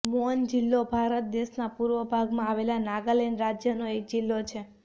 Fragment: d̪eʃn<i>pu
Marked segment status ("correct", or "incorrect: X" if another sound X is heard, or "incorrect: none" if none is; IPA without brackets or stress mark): incorrect: a